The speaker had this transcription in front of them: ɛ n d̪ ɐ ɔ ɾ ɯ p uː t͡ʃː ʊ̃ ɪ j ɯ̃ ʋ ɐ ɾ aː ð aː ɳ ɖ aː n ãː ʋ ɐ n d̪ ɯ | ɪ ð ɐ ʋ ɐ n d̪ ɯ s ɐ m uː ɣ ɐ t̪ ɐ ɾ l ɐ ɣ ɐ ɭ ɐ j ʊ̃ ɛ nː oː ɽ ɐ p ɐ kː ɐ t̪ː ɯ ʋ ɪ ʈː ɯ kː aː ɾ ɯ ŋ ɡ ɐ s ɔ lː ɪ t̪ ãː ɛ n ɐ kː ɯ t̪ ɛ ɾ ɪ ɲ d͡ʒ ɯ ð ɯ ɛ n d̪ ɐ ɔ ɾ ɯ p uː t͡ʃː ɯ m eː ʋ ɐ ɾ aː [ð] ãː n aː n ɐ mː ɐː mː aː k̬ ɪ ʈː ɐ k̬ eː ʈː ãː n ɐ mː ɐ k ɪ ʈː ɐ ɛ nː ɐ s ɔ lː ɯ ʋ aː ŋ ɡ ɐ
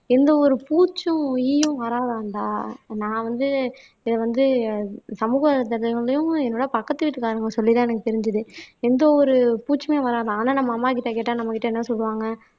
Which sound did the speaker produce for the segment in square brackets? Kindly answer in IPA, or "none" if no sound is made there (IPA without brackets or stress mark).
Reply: ð